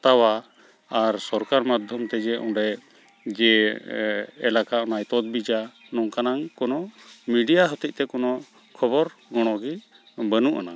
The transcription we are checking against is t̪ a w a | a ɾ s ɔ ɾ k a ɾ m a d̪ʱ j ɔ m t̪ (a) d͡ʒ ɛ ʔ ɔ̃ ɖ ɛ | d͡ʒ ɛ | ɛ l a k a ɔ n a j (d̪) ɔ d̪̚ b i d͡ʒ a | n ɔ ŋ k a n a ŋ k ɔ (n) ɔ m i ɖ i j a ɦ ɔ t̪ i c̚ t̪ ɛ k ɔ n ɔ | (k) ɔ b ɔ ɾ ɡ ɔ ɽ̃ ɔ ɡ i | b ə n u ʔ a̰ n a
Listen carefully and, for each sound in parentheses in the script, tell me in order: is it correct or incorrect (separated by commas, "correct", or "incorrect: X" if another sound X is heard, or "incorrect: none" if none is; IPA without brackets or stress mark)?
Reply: incorrect: ɛ, incorrect: t̪, correct, incorrect: kʰ